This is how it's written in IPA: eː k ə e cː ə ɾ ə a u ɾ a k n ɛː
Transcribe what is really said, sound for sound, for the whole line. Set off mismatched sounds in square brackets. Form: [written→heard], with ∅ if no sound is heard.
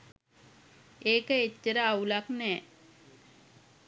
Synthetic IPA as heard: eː k ə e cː ə ɾ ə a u [ɾ→l] a k n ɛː